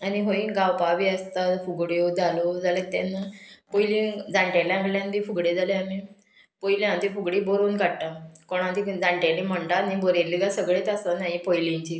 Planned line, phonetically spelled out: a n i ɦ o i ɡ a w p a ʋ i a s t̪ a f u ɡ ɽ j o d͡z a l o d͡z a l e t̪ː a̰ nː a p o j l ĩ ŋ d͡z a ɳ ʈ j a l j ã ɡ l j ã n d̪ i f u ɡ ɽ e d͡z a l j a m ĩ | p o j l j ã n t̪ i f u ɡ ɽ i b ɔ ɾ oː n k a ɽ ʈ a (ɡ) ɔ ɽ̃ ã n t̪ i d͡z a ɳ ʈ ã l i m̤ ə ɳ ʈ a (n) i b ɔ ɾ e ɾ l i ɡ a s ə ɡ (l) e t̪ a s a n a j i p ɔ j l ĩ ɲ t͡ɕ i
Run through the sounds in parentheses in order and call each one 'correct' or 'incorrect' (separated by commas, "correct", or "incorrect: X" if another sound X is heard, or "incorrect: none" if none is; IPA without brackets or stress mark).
incorrect: k, correct, incorrect: ɭ